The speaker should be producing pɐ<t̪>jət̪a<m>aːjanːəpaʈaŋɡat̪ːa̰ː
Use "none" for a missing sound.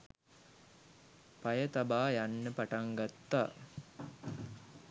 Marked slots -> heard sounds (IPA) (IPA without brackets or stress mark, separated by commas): none, b